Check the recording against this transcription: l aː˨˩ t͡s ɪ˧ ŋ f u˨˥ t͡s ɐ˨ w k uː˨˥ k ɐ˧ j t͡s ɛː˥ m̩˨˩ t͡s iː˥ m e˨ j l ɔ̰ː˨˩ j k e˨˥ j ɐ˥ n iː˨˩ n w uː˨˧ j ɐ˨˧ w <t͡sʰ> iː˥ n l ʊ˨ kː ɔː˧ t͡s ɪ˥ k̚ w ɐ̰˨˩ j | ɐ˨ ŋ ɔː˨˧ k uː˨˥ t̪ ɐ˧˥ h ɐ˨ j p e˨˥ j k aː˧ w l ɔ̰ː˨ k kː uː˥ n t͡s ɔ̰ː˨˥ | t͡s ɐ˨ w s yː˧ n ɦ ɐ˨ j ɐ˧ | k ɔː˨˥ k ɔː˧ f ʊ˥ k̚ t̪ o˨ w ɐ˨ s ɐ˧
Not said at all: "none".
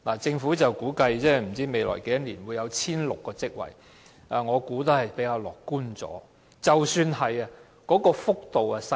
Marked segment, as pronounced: t͡sʰ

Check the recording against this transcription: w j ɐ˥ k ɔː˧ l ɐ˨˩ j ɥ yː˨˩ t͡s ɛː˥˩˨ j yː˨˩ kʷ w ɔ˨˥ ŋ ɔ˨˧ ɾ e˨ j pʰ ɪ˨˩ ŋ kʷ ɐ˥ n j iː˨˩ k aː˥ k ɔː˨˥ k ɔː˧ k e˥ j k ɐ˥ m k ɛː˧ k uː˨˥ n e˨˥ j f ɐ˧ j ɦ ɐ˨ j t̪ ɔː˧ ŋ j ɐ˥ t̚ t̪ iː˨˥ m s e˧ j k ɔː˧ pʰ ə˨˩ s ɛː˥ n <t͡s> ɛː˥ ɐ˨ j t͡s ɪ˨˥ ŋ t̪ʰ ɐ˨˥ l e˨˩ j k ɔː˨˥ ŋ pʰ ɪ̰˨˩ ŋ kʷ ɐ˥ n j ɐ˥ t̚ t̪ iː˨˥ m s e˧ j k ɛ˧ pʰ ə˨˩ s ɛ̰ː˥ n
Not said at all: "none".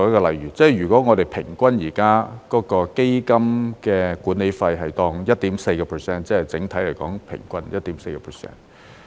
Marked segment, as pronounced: t͡s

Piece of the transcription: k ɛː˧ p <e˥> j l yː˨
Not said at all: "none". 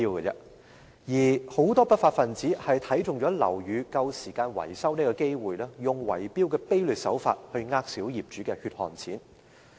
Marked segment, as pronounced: e˥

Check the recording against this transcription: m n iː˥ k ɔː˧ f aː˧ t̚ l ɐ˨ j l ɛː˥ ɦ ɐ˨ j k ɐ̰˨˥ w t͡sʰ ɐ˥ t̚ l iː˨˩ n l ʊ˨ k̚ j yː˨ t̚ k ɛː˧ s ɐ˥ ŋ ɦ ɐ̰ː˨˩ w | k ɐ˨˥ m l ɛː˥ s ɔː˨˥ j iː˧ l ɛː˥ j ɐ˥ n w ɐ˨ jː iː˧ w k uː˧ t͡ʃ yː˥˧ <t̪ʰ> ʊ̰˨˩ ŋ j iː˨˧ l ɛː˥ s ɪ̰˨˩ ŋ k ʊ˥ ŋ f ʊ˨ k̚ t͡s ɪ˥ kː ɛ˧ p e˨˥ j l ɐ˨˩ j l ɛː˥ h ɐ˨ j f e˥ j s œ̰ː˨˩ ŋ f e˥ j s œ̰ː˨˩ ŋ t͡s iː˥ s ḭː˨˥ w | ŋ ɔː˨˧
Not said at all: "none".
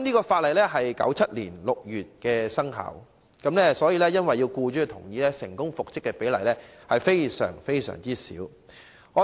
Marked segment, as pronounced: t̪ʰ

